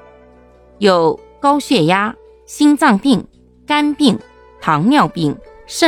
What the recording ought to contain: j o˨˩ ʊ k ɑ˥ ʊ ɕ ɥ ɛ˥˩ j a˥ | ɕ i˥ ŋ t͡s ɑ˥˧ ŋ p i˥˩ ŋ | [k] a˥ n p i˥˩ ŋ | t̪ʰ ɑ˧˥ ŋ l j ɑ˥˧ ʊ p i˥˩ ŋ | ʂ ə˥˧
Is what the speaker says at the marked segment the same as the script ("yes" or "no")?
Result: yes